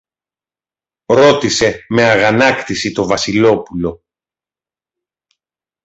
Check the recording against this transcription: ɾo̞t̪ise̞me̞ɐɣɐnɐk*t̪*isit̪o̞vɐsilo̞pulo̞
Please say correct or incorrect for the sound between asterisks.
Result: correct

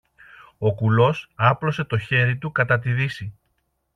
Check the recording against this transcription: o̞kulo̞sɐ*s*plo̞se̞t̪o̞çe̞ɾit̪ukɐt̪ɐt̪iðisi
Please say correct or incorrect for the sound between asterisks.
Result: incorrect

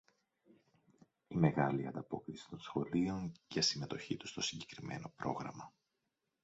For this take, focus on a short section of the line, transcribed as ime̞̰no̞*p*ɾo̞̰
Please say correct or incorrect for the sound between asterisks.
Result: correct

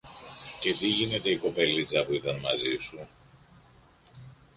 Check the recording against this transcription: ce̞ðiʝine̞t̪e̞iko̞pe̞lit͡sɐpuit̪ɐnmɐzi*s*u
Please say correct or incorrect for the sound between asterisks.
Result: correct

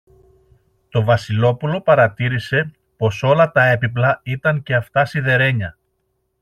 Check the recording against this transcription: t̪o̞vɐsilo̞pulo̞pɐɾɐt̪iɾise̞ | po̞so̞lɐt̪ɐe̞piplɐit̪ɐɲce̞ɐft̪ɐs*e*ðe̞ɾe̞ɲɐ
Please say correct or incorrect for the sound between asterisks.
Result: incorrect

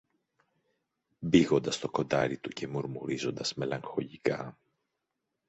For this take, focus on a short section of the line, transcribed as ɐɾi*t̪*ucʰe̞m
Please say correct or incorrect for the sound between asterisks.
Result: correct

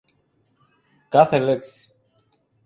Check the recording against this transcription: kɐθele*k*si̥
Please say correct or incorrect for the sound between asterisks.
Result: correct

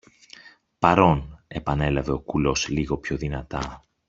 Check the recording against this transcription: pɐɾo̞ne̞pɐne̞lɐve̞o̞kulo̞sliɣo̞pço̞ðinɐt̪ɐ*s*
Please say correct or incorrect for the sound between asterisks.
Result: incorrect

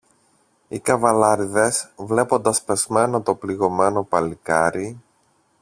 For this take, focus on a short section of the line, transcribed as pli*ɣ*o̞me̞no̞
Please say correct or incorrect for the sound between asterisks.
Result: correct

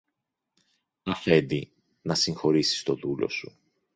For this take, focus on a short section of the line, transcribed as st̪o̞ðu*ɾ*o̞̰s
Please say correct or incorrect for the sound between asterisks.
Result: incorrect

